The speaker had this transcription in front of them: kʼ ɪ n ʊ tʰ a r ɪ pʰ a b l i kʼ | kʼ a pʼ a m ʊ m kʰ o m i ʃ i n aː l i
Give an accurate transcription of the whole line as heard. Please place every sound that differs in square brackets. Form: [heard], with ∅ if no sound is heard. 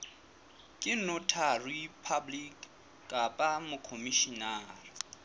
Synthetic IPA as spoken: kʼ ɪ n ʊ tʰ a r [i] pʰ a b l i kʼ | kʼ a pʼ a m ʊ [∅] kʰ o m i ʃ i n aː [r] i